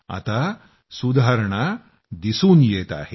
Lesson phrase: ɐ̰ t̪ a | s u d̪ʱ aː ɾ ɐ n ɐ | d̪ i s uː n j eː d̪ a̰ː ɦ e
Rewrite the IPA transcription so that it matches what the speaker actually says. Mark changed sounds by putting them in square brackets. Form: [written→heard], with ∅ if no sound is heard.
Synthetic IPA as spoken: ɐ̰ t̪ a | s u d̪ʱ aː ɾ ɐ [n→ɳ] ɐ | d̪ i s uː n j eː [d̪→t̪] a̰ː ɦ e